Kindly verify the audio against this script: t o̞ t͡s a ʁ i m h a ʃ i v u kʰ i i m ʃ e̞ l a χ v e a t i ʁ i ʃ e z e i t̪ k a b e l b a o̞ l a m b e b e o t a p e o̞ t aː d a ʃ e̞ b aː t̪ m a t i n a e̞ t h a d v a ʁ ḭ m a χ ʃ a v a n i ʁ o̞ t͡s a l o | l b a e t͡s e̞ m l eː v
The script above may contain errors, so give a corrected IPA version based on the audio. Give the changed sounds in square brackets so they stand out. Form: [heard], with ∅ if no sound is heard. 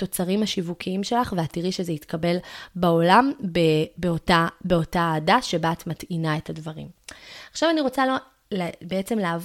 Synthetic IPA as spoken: t o̞ t͡s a ʁ i m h a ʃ i v u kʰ i i m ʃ e̞ l a χ v e a t i ʁ i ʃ e z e i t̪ k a b e l b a o̞ l a m b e b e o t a [b] e o̞ t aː d a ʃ e̞ b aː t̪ m a t i n a e̞ t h a d v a ʁ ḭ m a χ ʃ a v a n i ʁ o̞ t͡s a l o | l b [e] e t͡s e̞ m l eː v